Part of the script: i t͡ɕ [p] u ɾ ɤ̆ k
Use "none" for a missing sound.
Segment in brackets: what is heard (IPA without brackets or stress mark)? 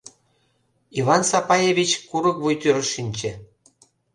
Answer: k